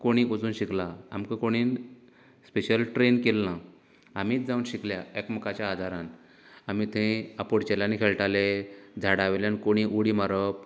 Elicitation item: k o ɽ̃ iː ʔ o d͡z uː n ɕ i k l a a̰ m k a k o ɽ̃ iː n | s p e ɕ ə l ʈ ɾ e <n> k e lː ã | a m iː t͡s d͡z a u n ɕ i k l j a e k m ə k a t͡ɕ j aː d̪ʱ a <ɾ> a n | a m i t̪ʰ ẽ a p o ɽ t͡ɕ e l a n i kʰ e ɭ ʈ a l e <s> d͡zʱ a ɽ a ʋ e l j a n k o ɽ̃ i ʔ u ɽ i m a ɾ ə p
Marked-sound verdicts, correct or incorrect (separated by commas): correct, correct, incorrect